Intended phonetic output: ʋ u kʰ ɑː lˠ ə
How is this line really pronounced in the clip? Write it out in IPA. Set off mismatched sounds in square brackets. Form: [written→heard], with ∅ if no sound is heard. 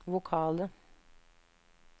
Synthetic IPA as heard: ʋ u kʰ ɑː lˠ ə